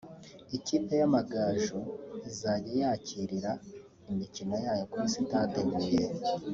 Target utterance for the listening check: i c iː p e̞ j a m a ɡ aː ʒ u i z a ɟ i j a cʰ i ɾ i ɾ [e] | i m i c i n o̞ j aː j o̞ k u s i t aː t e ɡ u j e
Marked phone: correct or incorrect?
incorrect